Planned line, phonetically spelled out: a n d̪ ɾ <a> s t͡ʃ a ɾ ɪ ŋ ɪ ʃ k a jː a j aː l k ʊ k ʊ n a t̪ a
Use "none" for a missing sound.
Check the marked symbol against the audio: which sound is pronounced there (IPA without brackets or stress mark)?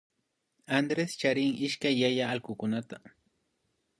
e